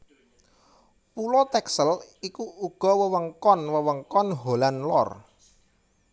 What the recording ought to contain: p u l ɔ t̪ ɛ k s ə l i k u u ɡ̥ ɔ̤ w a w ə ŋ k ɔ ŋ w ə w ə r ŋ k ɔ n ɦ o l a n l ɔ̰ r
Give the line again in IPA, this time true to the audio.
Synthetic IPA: p u l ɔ t̪ ɛ k s ə l i k u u ɡ̥ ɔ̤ w ə w ə ŋ k ɔ n w ə w ə ŋ k ɔ n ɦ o l a n l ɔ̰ r